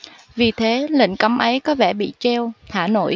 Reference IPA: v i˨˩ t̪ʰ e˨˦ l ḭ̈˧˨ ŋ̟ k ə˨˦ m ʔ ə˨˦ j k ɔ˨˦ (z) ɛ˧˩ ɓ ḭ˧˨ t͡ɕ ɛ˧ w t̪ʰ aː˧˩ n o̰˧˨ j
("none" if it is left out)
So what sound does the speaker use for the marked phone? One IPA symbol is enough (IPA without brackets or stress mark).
v